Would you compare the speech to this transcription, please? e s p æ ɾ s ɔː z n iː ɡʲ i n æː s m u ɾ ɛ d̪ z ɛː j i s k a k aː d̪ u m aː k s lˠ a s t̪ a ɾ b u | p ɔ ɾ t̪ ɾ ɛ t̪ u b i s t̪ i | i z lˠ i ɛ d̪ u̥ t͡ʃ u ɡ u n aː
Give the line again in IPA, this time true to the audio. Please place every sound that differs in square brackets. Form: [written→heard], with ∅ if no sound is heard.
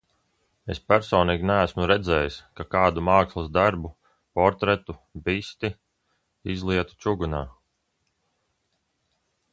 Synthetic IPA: e s p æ ɾ s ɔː [z→∅] n iː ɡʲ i n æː s m u ɾ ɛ d̪ z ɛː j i s k a k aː d̪ u m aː k s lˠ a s [t̪→d̪] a ɾ b u | p ɔ ɾ t̪ ɾ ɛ t̪ u b i s t̪ i | i z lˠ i ɛ [d̪→t̪] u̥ t͡ʃ u ɡ u n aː